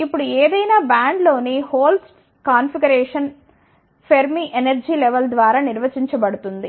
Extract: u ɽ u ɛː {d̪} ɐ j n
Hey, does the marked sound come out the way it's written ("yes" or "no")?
yes